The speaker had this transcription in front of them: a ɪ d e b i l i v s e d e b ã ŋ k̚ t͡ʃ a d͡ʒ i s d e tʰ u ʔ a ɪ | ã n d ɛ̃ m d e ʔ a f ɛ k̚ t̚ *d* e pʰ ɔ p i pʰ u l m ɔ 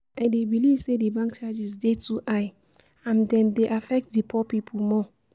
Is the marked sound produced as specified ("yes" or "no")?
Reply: yes